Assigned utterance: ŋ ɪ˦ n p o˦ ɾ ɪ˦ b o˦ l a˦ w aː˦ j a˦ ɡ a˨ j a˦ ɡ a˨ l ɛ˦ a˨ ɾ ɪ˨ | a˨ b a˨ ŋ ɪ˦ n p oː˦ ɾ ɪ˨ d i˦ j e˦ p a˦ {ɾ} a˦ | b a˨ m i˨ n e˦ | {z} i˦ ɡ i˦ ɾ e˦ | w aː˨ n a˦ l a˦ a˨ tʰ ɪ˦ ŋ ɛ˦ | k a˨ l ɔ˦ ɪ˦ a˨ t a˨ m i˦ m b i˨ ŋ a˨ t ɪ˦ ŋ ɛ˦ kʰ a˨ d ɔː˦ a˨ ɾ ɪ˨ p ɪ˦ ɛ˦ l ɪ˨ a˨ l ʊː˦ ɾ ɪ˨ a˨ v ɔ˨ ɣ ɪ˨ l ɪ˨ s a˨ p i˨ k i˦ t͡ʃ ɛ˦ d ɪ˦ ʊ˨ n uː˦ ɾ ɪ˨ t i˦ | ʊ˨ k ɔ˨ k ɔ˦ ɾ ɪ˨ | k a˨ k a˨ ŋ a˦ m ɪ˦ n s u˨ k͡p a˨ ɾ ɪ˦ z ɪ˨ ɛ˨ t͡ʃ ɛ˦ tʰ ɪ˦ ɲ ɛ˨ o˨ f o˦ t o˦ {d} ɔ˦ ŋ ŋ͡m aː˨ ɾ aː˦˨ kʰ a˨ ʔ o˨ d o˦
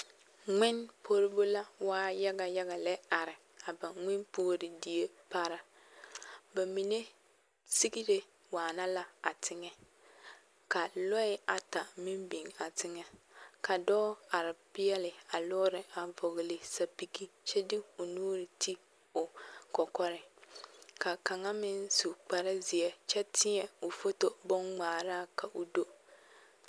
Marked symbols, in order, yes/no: yes, no, no

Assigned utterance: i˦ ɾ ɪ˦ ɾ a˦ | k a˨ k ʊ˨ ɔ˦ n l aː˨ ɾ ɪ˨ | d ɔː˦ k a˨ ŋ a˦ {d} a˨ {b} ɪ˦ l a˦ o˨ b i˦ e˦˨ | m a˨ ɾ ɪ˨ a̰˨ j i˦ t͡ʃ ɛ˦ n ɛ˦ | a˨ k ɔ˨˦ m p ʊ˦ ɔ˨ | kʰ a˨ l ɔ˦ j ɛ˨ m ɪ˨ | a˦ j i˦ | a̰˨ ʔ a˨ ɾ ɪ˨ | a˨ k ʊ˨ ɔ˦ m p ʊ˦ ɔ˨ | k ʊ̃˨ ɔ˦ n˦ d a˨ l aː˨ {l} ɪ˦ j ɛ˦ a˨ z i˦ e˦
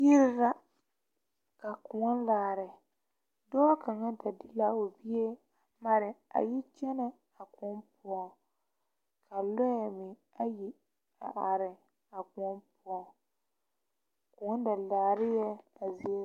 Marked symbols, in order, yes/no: yes, no, no

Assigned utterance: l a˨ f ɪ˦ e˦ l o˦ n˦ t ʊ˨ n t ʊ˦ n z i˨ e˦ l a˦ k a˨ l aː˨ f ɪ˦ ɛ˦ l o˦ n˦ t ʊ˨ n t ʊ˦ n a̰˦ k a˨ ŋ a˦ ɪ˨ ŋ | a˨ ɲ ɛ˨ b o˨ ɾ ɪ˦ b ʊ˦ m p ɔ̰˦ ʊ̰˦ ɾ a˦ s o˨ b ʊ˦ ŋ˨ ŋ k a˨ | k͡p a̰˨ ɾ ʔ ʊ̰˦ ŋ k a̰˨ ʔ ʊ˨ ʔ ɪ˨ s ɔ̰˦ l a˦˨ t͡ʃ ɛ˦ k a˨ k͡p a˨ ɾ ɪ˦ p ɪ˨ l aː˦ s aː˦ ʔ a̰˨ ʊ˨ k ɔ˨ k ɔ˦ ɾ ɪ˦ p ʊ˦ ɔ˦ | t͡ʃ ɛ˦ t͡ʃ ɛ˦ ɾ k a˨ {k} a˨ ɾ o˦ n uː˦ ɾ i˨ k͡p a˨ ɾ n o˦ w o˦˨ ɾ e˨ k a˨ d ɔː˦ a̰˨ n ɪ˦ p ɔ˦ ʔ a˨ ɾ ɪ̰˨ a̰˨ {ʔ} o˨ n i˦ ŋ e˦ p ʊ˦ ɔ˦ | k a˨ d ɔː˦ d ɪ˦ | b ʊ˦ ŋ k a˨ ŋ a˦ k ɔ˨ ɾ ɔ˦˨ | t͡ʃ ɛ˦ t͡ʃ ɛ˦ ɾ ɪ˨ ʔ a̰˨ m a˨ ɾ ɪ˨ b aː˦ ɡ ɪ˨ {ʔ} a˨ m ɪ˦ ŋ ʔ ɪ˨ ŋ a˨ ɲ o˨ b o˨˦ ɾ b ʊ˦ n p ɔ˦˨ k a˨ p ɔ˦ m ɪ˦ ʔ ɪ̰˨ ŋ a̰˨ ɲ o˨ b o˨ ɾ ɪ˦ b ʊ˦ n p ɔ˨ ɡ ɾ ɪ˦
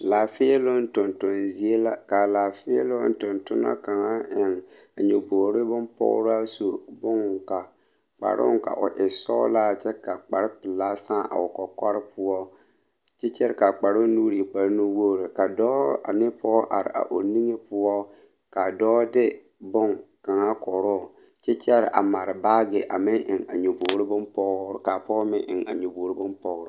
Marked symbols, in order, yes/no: no, yes, yes

